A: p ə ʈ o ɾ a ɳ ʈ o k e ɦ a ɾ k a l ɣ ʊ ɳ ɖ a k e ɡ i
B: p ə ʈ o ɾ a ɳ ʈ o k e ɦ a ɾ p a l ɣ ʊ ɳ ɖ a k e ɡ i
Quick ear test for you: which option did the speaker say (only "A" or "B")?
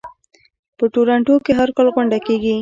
A